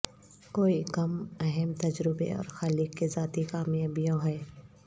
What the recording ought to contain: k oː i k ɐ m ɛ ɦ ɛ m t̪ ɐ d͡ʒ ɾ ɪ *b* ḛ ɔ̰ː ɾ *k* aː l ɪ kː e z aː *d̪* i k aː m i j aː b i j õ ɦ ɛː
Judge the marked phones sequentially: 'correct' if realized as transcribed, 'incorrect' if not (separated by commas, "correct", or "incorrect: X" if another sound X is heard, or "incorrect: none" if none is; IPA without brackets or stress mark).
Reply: correct, incorrect: x, incorrect: t̪